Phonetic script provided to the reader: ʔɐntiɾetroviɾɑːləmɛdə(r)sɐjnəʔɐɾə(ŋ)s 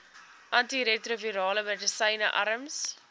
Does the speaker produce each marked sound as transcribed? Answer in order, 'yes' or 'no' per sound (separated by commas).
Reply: no, no